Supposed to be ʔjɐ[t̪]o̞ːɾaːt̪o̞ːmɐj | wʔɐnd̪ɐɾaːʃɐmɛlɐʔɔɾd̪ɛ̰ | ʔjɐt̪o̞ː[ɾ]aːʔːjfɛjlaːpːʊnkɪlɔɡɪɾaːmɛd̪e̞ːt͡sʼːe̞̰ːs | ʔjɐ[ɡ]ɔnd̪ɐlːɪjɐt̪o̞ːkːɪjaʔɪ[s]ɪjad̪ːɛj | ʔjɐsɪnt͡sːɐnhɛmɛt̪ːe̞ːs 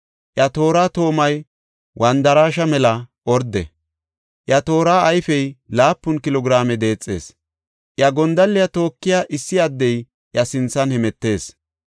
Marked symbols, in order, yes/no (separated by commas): yes, yes, yes, no